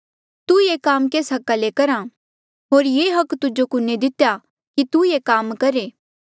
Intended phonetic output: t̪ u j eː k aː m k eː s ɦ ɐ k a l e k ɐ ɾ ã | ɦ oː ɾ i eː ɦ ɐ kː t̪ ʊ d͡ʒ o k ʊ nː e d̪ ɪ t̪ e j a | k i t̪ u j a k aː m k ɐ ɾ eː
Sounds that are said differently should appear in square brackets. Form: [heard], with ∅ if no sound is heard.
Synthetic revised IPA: t̪ u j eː k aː m k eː s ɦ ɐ k a l e k ɐ ɾ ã | ɦ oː ɾ [j] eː ɦ ɐ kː t̪ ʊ d͡ʒ o k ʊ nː e d̪ ɪ t̪ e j a | k i t̪ u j [e] k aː m k ɐ ɾ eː